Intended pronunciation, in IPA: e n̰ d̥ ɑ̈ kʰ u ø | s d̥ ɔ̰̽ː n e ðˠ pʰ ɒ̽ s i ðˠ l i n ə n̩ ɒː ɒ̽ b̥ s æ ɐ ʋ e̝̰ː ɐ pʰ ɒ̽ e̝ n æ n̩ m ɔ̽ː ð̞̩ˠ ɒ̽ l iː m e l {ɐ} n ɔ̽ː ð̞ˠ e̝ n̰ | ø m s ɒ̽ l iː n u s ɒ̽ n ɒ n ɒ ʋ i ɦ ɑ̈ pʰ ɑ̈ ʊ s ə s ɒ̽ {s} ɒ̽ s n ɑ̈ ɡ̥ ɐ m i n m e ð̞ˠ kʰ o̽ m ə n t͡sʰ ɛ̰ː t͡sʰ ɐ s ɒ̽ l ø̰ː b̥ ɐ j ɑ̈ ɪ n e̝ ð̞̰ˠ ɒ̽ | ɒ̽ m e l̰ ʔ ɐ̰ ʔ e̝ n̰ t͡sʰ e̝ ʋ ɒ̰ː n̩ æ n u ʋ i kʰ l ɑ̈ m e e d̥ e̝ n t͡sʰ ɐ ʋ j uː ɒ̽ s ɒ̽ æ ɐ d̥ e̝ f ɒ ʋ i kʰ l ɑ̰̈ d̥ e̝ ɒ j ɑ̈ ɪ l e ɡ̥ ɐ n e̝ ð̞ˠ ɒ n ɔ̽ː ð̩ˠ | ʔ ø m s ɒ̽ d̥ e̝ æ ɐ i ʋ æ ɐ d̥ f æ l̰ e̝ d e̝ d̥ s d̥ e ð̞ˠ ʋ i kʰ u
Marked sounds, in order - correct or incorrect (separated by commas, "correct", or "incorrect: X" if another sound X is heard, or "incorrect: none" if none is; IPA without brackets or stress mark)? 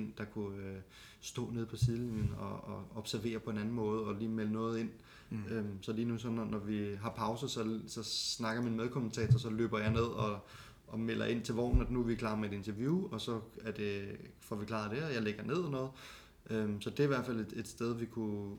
incorrect: ə, correct